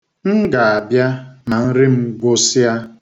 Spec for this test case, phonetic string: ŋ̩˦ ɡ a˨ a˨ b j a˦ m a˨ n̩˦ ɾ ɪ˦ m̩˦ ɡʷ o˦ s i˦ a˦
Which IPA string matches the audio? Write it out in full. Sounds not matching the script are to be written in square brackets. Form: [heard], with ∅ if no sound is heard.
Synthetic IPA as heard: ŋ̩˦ ɡ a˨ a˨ b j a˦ m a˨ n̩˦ ɾ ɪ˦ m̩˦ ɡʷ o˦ s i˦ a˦